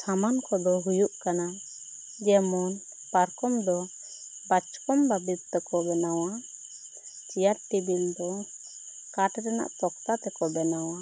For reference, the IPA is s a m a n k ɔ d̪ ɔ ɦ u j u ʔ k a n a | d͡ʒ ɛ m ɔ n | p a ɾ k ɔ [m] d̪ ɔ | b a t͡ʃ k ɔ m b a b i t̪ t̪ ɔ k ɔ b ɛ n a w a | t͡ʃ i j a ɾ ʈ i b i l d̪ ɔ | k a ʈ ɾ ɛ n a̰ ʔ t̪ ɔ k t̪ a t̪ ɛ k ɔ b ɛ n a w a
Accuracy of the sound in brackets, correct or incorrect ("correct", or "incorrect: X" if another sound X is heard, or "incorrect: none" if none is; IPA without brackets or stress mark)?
correct